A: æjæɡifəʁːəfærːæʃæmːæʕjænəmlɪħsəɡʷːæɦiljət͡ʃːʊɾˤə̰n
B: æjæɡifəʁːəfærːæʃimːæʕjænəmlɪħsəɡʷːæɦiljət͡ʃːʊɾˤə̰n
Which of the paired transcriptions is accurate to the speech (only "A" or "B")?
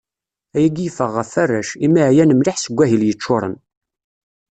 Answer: B